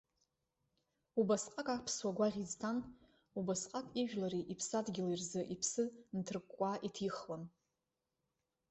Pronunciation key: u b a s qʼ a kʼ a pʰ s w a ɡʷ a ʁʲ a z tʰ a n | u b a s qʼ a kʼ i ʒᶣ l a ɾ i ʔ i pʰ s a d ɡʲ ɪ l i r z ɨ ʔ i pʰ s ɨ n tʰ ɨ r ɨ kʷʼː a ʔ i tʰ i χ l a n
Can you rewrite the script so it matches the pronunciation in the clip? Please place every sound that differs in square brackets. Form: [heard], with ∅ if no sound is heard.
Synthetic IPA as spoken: u b a s qʼ a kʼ a pʰ s w a ɡʷ a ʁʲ [i] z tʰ a n | u b a s qʼ a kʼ i ʒᶣ l a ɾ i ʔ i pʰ s a d ɡʲ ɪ l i r z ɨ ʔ i pʰ s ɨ n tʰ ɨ r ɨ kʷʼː a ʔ i tʰ i χ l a n